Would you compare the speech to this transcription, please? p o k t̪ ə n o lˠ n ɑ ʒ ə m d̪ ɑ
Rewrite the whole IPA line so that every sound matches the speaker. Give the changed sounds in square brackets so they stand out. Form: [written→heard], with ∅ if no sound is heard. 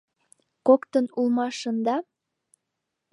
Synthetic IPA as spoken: [p→k] o k t̪ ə n [o→u] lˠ [n→m] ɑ [ʒ→ʃ] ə [m→n] d̪ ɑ